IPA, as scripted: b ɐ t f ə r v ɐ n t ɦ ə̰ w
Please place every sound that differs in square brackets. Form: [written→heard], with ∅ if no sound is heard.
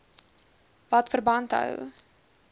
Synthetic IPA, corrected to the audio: [b→v] ɐ t f ə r [v→b] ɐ n t ɦ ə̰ w